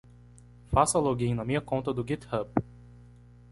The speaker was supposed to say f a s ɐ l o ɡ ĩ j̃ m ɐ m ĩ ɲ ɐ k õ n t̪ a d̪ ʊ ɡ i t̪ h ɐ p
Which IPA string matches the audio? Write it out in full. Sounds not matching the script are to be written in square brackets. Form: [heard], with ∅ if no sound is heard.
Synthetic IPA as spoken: f a s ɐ l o ɡ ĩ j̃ [n] ɐ m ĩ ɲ ɐ k õ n t̪ [ɐ] d̪ ʊ ɡ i t̪ h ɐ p